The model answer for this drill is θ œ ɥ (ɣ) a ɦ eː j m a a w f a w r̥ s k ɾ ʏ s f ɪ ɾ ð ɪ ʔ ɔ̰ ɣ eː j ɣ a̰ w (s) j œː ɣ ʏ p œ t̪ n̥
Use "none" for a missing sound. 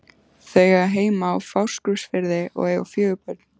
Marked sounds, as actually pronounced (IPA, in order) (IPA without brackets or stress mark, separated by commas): ɣ, f